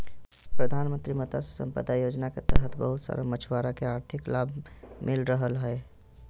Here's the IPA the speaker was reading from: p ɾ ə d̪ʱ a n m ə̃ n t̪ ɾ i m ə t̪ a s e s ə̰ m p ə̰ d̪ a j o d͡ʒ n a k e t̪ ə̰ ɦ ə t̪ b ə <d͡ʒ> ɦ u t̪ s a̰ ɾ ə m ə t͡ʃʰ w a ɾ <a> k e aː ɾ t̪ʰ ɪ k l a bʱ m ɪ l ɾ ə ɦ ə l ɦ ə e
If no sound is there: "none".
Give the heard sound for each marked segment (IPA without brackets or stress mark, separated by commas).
none, a